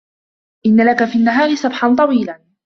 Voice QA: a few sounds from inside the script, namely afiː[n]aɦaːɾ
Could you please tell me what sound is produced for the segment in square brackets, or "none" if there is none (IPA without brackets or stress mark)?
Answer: nː